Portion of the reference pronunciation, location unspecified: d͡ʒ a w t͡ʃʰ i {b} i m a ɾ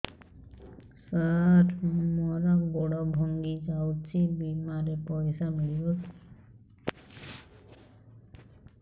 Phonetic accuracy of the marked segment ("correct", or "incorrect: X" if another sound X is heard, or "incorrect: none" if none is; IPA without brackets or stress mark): correct